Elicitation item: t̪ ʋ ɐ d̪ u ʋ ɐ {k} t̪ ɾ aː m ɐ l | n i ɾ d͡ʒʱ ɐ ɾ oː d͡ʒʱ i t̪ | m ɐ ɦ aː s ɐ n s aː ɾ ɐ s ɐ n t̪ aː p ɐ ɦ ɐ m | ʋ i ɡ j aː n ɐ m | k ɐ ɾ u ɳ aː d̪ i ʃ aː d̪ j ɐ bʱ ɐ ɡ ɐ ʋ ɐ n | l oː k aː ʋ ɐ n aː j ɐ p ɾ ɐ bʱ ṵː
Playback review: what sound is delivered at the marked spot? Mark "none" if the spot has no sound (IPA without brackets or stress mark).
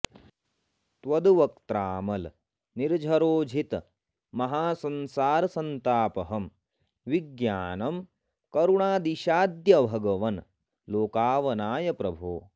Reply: k